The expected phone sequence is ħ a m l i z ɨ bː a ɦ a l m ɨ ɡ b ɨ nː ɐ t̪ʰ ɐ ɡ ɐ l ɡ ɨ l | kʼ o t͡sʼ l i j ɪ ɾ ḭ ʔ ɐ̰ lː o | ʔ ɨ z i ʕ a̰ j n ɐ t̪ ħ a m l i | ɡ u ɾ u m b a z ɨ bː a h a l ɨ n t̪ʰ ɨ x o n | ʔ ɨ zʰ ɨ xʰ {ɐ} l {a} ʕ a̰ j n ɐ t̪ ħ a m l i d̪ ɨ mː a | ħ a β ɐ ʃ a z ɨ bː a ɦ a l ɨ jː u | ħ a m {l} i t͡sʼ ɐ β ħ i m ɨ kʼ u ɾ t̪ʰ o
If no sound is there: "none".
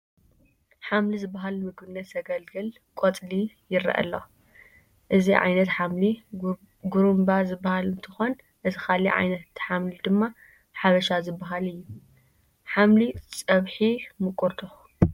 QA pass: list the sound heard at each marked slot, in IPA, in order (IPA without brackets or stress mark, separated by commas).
a, i, l